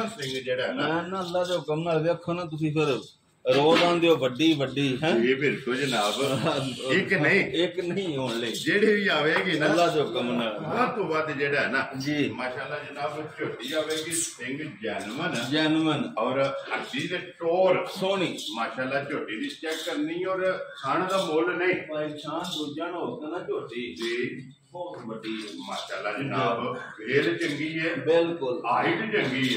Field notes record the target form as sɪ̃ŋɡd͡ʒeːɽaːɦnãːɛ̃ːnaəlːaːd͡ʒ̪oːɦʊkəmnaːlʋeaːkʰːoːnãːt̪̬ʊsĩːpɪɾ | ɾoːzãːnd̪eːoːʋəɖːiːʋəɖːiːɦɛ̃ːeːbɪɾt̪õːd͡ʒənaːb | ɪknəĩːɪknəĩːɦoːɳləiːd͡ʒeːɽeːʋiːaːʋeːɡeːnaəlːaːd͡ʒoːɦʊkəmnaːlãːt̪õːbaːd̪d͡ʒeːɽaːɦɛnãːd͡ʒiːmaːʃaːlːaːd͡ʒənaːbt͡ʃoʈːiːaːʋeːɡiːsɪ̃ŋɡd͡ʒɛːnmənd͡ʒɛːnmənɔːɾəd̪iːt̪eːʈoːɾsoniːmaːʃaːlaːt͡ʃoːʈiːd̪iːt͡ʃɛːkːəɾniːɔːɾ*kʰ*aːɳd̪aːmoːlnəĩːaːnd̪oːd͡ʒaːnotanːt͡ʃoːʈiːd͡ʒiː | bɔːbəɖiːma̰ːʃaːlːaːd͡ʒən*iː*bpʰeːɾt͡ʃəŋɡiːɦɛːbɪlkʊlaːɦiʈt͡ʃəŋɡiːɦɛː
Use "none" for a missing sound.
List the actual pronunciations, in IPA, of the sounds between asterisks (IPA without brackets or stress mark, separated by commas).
kʰ, aː